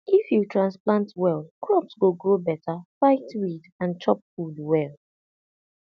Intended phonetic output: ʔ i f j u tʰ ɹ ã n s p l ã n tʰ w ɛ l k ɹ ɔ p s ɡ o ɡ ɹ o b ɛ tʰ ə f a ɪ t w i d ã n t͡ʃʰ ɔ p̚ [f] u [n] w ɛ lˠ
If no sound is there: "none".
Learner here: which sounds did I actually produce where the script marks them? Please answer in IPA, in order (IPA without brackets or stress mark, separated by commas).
f, d